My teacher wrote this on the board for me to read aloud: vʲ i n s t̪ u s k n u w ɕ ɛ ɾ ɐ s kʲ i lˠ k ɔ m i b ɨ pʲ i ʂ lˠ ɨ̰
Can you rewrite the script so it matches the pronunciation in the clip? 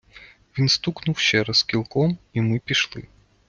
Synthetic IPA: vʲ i n s t̪ u k n u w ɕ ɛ ɾ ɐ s kʲ i lˠ k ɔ m i m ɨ pʲ i ʂ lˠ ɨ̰